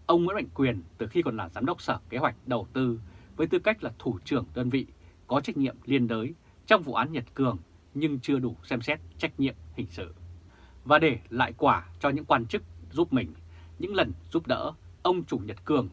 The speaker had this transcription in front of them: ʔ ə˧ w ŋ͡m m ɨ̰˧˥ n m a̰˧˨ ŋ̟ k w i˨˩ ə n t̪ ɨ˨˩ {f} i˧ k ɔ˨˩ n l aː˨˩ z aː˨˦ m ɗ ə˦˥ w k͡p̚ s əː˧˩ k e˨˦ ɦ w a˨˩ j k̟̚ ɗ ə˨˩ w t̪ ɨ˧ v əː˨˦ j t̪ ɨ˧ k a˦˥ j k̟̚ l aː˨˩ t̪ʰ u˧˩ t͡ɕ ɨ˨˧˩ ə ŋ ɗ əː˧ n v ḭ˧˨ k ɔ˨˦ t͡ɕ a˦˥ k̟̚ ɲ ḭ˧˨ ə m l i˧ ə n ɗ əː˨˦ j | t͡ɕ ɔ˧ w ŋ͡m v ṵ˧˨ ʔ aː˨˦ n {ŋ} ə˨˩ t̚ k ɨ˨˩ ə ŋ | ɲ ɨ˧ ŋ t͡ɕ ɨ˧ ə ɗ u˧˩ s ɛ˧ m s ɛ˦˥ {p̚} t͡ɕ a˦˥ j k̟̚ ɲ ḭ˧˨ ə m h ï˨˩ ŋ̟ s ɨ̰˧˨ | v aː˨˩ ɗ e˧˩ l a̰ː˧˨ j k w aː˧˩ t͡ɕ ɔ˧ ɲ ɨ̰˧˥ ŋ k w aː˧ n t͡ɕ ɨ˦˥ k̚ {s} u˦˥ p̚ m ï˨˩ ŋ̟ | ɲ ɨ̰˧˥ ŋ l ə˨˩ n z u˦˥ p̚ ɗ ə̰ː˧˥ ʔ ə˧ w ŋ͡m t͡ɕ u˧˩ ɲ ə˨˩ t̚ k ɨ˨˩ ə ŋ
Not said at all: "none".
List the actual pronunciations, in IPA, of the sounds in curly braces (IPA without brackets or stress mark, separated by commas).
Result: x, ɲ, t̚, z